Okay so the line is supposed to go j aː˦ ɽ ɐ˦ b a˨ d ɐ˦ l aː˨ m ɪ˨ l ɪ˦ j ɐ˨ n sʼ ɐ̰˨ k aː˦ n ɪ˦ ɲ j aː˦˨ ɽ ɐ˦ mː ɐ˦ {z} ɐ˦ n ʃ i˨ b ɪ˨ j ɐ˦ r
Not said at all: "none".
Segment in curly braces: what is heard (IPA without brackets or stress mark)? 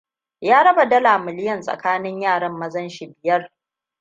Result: z